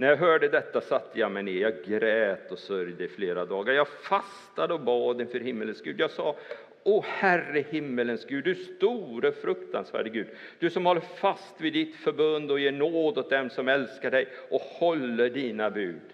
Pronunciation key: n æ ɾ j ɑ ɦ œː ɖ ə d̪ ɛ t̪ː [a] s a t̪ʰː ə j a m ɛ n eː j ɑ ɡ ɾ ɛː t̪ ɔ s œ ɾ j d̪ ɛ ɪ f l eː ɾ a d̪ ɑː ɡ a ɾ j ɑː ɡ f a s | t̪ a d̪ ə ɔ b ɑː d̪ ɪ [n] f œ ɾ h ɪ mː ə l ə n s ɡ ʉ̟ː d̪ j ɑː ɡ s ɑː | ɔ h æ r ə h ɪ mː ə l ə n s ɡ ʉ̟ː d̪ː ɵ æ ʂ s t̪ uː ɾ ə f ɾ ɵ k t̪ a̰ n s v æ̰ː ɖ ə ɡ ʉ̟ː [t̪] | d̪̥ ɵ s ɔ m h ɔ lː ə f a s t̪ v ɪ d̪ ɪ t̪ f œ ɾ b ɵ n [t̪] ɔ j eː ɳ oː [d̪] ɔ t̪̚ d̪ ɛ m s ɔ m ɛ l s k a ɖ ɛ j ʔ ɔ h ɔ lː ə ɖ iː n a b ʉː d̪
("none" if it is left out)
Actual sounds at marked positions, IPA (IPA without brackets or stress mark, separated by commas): a, n, d̪, d̪, d̪